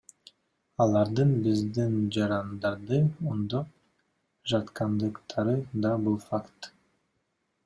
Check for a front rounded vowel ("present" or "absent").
absent